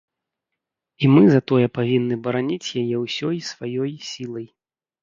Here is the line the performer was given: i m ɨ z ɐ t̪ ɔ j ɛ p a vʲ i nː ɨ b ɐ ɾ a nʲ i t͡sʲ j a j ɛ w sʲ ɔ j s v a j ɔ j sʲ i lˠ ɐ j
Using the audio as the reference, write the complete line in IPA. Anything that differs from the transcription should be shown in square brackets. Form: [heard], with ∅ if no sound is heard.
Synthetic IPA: i m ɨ z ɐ t̪ ɔ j ɛ p a vʲ i nː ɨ b ɐ ɾ a nʲ i t͡sʲ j a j ɛ w sʲ ɔ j s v a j ɔ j sʲ i lˠ ɐ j